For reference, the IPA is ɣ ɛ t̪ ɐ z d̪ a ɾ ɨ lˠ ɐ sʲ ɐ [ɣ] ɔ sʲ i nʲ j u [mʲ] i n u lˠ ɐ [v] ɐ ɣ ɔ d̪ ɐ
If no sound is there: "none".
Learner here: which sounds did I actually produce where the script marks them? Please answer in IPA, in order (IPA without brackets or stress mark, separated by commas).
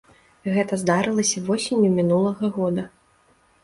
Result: v, mʲ, ɣ